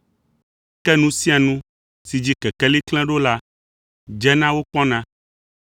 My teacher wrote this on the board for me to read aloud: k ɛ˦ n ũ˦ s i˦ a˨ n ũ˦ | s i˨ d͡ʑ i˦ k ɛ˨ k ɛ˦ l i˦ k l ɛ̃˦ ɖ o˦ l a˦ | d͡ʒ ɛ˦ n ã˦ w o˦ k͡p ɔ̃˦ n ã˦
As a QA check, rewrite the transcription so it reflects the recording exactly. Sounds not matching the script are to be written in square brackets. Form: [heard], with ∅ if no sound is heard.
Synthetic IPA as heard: k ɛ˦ n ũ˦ s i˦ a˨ n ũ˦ | s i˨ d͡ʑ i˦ k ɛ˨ k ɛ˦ l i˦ k l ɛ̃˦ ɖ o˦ l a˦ | d͡ʒ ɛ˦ n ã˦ w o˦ k͡p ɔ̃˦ n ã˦